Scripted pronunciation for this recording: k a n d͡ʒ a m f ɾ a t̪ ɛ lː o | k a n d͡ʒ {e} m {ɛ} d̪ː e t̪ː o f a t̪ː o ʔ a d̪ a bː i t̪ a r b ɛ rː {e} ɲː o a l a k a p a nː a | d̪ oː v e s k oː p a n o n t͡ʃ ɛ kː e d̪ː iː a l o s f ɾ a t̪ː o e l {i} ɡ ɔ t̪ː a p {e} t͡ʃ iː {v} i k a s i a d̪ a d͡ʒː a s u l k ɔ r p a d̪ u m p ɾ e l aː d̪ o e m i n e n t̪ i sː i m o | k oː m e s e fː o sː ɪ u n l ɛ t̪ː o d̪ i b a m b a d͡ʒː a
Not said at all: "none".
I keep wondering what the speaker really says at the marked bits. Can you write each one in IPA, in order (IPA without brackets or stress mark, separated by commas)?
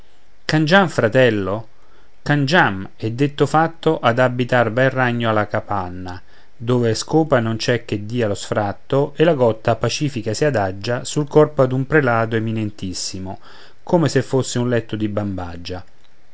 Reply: a, ɛ, a, a, a, f